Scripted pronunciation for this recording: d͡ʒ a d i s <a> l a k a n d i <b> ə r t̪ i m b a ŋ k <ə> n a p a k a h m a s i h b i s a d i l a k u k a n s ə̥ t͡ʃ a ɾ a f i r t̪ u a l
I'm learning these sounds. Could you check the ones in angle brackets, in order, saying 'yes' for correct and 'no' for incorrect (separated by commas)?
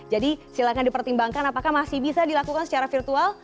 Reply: no, no, no